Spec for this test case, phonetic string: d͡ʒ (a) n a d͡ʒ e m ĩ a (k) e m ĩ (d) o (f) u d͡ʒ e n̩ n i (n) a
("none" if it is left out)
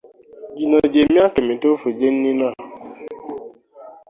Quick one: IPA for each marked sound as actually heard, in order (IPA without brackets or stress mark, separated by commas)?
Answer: i, k, t, f, n